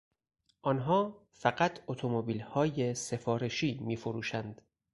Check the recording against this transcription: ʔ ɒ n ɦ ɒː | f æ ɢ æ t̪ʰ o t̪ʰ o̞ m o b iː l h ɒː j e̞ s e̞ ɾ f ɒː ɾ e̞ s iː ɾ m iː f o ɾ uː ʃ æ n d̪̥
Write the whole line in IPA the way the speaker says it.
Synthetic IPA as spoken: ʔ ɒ n ɦ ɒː | f æ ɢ æ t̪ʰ o t̪ʰ o̞ m o b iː l h ɒː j e̞ s e̞ f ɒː ɾ e̞ ʃ iː m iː f o ɾ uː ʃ æ n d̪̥